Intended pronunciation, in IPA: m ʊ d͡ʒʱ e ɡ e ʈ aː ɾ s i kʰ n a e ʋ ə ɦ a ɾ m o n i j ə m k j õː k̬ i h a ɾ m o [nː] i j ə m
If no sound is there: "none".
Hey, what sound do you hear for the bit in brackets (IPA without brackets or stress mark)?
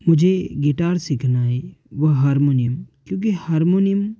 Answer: n